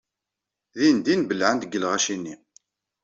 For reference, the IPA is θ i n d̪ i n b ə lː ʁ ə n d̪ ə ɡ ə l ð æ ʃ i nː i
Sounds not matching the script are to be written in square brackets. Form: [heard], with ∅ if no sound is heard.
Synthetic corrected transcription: [ð] i n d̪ i n b ə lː [ʕ] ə n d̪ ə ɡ ə l [ʁ] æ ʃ i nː i